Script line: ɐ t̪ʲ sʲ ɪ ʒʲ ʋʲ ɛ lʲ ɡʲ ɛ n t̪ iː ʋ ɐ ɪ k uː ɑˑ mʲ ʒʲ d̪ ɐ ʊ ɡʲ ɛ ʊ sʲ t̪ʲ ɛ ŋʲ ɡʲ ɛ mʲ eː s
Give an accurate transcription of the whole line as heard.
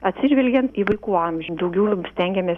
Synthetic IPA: ɐ t̪ʲ sʲ ɪ ʒʲ ʋʲ ɛ lʲ ɡʲ ɛ n t̪ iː ʋ ɐ ɪ k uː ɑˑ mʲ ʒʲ d̪ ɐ ʊ ɡʲ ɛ ʊ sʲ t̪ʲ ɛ ŋʲ ɡʲ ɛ mʲ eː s

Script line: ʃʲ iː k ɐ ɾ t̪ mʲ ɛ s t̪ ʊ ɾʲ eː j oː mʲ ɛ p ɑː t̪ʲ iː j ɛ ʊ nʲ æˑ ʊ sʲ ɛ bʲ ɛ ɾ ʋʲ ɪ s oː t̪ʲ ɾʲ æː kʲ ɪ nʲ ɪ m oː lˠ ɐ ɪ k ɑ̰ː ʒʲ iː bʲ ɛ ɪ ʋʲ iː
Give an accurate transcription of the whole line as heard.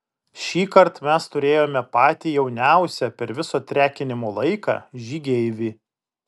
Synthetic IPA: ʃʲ iː k ɐ ɾ t̪ mʲ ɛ s t̪ ʊ ɾʲ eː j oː mʲ ɛ p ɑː t̪ʲ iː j ɛ ʊ nʲ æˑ ʊ sʲ ɛ pʲ ɛ ɾ ʋʲ ɪ s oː t̪ʲ ɾʲ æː kʲ ɪ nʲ ɪ m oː lˠ ɐ ɪ k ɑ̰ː ʒʲ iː ɡʲ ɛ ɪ ʋʲ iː

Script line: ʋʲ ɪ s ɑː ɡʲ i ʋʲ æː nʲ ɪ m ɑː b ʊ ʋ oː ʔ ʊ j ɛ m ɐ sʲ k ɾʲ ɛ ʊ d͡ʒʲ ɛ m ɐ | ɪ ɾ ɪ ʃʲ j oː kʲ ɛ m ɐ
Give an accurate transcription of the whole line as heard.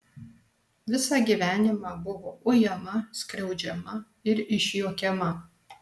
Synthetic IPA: ʋʲ ɪ s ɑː ɡʲ i ʋʲ æː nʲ ɪ m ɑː b ʊ ʋ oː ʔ ʊ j ɛ m ɐ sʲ k ɾʲ ɛ ʊ d͡ʒʲ ɛ m ɐ | ɪ ɾ ɪ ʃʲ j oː kʲ ɛ m ɐ

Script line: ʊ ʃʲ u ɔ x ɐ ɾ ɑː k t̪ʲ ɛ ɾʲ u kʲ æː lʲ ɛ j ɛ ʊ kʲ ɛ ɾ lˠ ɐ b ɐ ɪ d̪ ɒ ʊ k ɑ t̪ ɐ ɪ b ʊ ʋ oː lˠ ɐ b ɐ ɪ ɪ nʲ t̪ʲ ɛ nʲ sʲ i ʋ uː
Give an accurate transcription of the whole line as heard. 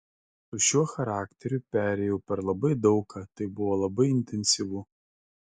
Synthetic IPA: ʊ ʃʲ u ɔ x ɐ ɾ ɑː k t̪ʲ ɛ ɾʲ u pʲ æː ɾʲ ɛ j ɛ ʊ pʲ ɛ ɾ lˠ ɐ b ɐ ɪ d̪ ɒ ʊ k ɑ t̪ ɐ ɪ b ʊ ʋ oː lˠ ɐ b ɐ ɪ ɪ nʲ t̪ʲ ɛ nʲ sʲ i ʋ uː

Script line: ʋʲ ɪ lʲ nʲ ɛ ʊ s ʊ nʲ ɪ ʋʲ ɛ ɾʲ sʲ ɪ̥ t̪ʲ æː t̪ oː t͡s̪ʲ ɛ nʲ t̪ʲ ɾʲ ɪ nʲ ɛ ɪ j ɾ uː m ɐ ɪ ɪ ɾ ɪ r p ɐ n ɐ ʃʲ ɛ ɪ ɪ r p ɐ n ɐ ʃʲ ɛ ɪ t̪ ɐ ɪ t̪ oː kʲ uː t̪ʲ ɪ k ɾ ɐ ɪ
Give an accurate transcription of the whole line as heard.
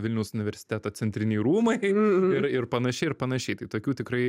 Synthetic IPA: ʋʲ ɪ lʲ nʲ ɛ ʊ s ʊ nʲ ɪ ʋʲ ɛ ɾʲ sʲ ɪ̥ t̪ʲ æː t̪ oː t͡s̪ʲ ɛ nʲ t̪ʲ ɾʲ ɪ nʲ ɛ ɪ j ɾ uː m ɐ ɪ ɪ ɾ ɪ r p ɐ n ɐ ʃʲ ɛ ɪ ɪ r p ɐ n ɐ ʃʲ ɛ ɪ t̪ ɐ ɪ t̪ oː kʲ uː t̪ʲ ɪ k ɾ ɐ ɪ

